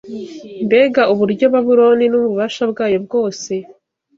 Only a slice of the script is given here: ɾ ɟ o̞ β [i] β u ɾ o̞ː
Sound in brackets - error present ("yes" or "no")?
yes